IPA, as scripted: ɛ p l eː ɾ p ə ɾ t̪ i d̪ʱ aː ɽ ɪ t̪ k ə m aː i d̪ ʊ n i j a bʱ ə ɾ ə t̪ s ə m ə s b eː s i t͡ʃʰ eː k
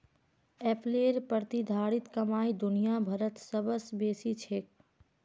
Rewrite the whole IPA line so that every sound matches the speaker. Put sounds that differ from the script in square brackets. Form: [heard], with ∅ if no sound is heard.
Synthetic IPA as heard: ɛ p l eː ɾ p ə ɾ t̪ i d̪ʱ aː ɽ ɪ t̪ k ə m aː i d̪ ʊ n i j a bʱ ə ɾ ə t̪ s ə [b] ə s b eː s i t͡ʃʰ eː k